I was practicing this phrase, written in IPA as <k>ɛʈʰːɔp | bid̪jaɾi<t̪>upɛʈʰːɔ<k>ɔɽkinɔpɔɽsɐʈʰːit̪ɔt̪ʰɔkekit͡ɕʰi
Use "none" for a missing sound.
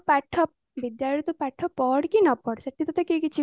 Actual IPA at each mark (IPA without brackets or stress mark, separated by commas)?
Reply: p, t̪, p